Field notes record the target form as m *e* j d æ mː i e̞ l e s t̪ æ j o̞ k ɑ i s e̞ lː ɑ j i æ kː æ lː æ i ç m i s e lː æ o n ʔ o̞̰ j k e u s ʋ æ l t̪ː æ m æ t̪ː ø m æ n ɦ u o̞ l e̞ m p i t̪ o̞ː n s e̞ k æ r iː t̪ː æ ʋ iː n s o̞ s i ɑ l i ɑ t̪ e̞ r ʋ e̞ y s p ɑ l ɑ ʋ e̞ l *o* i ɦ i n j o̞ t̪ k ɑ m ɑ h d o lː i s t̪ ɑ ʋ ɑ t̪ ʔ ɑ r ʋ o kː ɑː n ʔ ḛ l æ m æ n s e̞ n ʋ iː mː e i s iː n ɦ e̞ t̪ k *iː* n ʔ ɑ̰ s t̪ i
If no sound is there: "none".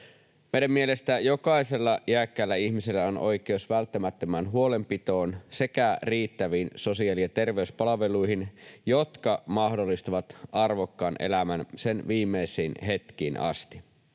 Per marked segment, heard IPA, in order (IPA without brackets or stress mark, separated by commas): e, u, iː